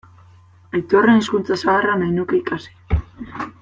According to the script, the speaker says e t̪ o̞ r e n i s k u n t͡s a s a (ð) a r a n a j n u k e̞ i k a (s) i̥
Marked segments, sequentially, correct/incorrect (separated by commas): incorrect, correct